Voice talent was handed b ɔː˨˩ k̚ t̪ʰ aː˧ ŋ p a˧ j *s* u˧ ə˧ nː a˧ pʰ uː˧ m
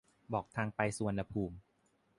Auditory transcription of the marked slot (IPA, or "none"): s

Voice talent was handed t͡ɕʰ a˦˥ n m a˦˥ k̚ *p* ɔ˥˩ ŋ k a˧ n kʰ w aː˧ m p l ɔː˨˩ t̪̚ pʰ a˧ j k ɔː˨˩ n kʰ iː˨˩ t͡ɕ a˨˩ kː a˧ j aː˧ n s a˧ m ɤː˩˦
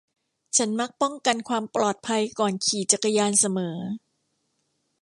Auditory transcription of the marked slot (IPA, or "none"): p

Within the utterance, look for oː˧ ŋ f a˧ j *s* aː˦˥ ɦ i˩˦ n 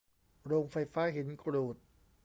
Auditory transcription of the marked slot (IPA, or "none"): f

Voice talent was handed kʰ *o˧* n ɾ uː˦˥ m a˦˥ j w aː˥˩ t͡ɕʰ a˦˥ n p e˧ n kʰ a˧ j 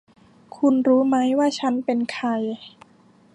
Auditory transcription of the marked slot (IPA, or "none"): u˧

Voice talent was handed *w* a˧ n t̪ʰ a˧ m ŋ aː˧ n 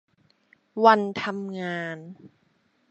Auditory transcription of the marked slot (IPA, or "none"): w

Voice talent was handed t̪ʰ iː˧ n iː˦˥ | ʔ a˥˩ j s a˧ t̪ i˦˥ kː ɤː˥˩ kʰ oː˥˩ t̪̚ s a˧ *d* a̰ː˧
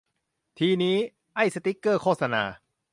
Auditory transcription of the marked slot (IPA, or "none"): n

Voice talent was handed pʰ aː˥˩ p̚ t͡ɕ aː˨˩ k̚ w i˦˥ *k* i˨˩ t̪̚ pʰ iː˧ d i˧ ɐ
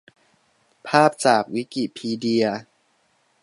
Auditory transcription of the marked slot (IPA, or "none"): k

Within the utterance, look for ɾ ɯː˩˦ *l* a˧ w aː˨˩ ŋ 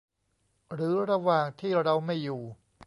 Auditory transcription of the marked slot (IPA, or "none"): ɾ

